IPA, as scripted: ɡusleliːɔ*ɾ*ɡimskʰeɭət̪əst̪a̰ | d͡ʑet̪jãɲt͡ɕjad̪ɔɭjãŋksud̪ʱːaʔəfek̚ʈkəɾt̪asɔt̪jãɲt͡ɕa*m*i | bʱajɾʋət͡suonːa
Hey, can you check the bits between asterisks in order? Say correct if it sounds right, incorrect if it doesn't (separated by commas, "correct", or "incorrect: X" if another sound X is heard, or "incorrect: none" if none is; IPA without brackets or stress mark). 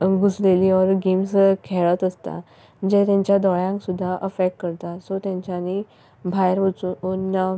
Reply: correct, incorrect: n